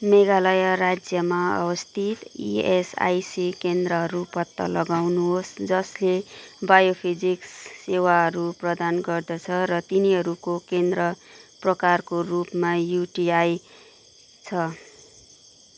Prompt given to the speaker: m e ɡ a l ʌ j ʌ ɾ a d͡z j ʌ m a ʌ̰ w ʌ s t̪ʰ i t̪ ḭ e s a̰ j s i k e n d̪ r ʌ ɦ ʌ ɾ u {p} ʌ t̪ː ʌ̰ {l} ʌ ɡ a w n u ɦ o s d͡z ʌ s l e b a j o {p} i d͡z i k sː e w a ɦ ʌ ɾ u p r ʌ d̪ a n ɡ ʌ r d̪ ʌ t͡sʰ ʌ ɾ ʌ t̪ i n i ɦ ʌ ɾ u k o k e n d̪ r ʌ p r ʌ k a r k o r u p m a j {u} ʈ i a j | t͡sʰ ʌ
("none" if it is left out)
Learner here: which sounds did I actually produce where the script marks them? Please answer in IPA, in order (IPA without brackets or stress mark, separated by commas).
p, l, pʰ, u